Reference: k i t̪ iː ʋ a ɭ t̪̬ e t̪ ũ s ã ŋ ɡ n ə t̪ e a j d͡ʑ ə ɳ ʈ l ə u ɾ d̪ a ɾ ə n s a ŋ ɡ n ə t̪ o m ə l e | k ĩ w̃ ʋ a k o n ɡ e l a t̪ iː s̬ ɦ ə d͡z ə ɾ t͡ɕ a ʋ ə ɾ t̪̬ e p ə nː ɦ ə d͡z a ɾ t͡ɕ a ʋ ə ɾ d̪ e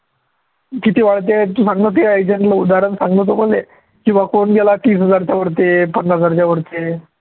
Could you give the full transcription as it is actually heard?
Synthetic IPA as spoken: k i t̪ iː ʋ a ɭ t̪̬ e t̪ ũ s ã ŋ ɡ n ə t̪ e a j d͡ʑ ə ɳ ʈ l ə u d̪ a ɾ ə n s a ŋ ɡ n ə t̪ o m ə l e | k ĩ w̃ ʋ a k o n ɡ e l a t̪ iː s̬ ɦ ə d͡z a ɾ t͡ɕ a ʋ ə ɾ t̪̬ e p ə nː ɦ ə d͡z a ɾ t͡ɕ a ʋ ə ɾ t̪ e